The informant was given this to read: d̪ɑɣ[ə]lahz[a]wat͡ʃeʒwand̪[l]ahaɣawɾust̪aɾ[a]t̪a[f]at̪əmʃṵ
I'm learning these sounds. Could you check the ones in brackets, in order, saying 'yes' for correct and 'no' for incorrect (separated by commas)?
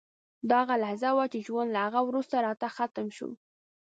no, yes, yes, no, no